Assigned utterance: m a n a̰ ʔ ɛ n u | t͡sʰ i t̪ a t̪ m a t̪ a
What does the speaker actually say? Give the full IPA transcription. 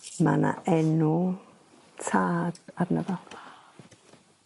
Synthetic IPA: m a n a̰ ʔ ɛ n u | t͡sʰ a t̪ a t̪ n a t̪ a